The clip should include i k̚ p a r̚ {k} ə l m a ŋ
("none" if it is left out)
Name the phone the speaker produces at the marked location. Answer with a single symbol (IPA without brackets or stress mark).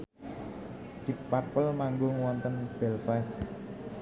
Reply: p